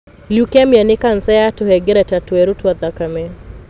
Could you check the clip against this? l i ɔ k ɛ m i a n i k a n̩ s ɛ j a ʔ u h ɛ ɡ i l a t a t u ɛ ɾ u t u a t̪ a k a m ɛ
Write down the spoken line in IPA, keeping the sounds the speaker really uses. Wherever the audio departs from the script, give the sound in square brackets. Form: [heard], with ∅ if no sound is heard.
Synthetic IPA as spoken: l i [u] k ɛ m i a n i k a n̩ s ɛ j a [t] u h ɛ ɡ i [ɾ] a t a t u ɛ ɾ u t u a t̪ a k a m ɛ